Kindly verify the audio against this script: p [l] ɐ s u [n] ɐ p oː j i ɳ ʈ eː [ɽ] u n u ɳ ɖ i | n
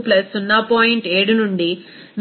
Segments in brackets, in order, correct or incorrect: correct, incorrect: nː, correct

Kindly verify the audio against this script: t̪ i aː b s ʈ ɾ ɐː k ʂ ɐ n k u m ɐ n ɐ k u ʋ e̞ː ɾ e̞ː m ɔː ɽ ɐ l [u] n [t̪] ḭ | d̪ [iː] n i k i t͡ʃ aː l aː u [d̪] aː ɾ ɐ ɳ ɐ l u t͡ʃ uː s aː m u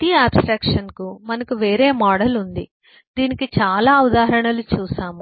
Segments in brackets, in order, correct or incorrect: correct, incorrect: d̪, correct, correct

